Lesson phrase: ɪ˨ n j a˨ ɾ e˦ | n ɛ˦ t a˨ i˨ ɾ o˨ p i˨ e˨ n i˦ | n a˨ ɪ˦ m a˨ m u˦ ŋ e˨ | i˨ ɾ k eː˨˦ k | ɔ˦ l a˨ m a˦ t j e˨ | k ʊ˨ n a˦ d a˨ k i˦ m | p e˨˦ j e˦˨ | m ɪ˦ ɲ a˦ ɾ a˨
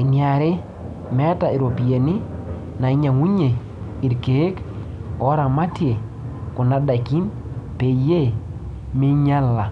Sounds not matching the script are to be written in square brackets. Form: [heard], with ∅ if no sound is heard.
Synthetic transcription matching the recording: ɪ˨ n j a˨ ɾ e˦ | [m] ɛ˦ t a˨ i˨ ɾ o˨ p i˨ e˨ n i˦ | n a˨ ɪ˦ [ɲ] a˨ [ŋ] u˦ [ɲ] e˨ | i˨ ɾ k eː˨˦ k | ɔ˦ [ɾ] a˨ m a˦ t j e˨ | k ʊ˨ n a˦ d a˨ k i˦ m | p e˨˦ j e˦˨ | m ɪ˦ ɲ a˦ [l] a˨

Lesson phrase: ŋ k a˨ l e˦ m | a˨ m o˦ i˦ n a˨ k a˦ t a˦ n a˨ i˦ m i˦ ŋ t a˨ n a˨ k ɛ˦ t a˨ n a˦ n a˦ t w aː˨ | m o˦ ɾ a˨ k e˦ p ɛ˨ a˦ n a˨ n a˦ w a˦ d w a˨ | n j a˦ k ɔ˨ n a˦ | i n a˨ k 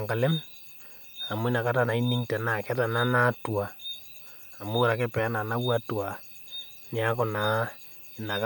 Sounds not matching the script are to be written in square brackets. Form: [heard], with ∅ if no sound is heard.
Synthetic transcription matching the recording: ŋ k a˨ l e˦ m | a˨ m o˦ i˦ n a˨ k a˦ t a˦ n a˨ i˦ [n] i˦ ŋ t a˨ n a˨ k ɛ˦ t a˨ n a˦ n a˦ t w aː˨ | m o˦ ɾ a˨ k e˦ p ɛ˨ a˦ n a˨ n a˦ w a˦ [t] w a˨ | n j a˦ k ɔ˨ n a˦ | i n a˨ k

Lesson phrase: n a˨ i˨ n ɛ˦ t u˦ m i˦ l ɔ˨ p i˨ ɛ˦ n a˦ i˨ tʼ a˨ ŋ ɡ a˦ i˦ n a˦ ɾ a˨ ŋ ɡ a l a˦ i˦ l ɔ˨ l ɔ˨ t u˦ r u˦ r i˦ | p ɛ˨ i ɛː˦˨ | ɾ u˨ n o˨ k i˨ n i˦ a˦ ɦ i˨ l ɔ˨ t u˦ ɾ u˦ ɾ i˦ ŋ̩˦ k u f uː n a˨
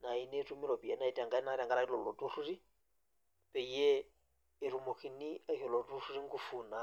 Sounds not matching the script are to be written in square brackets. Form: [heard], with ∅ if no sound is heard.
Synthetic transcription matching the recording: n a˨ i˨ n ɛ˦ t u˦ m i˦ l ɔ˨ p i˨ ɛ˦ n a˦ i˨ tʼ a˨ ŋ ɡ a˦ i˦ n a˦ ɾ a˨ ŋ ɡ a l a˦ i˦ l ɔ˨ l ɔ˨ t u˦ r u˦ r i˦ | p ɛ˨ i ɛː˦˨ | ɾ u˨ [m] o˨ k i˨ n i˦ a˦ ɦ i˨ l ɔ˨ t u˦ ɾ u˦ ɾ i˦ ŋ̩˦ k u f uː n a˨

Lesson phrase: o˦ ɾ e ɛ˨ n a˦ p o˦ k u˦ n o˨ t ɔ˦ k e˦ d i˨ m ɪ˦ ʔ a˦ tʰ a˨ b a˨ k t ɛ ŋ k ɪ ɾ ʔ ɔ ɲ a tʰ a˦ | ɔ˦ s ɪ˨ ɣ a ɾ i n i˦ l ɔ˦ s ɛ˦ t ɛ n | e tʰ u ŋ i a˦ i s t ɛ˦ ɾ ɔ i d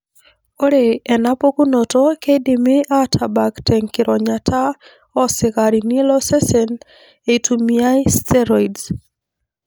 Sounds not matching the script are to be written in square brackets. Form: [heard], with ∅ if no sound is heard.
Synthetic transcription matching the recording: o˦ ɾ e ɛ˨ n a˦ p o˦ k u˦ n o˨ t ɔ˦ k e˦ d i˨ m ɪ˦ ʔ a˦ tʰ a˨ b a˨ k t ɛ ŋ k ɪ ɾ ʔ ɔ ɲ a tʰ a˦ | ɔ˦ s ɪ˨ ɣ a ɾ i n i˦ l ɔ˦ s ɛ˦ [s] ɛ n | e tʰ u [m] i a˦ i s t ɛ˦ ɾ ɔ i d

